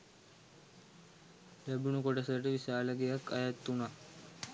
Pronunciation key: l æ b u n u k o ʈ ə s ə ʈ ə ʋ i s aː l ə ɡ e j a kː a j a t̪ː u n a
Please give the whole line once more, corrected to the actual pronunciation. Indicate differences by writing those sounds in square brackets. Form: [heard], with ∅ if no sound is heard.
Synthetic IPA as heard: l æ b u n u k o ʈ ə s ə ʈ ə ʋ i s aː l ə ɡ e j a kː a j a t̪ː u n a